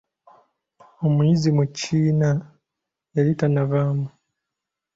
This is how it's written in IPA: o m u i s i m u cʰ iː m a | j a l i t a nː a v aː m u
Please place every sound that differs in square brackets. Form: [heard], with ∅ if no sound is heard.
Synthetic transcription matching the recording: o m u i [z] i m u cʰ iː [n] a | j a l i t a [n] a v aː m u